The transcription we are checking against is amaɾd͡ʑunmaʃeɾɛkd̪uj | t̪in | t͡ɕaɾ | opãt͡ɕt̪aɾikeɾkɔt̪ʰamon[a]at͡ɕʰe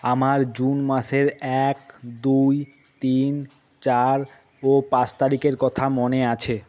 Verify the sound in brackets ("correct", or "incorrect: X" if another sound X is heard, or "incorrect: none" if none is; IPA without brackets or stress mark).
incorrect: e